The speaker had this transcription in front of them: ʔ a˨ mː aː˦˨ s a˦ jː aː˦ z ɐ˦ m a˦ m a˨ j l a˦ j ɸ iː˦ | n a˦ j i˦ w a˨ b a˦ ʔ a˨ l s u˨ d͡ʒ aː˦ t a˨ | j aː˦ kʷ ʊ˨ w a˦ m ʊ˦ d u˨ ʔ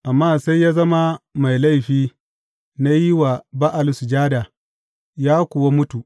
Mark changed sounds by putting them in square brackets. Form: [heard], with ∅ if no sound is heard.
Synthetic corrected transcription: ʔ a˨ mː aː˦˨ s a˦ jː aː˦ z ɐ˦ m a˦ m a˨ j l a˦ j ɸ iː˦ | n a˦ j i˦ w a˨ b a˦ ʔ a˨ l s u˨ d͡ʒ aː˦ [d] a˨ | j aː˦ kʷ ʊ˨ w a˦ m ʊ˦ [t] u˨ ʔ